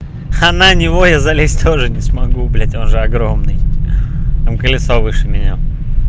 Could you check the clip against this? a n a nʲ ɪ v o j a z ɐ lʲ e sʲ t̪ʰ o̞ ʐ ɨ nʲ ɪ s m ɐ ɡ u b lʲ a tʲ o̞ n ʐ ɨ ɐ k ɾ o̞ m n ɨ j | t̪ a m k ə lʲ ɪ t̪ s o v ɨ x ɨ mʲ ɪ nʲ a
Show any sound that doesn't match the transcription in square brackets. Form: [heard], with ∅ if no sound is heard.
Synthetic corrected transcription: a n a nʲ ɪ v o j a z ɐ lʲ e sʲ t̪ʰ o̞ ʐ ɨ nʲ ɪ s m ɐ ɡ u b lʲ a tʲ o̞ n ʐ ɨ ɐ [ɡ] ɾ o̞ m n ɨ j | t̪ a m k ə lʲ ɪ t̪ s o v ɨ [ʂ] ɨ mʲ ɪ nʲ a